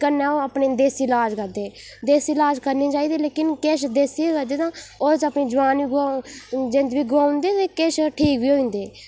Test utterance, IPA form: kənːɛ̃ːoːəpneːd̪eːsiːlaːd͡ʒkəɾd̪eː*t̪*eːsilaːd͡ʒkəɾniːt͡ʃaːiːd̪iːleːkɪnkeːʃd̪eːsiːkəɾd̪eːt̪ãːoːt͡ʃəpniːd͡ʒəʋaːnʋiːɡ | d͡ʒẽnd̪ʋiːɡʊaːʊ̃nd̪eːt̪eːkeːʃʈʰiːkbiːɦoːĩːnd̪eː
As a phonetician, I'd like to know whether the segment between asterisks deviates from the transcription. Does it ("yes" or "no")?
yes